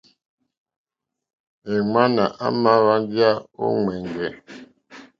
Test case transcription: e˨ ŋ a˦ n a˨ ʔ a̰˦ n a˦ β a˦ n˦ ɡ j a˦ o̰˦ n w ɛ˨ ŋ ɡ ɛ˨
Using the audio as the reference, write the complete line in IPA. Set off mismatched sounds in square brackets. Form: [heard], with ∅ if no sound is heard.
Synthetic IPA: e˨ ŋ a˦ n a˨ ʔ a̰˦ [m] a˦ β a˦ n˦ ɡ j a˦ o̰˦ [ŋ] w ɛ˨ ŋ ɡ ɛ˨